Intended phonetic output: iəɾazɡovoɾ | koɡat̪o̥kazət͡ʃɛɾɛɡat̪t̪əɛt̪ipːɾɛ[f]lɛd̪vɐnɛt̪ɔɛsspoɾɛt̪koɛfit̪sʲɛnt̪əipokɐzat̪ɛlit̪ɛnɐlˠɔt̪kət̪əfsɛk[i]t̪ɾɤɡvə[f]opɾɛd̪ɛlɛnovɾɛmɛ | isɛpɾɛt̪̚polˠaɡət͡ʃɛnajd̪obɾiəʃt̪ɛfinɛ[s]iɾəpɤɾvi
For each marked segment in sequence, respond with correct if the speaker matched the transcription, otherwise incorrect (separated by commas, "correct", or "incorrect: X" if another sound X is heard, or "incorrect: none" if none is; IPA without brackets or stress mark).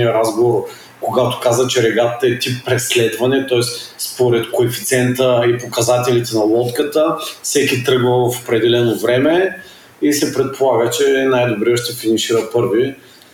incorrect: s, correct, correct, incorrect: ʃ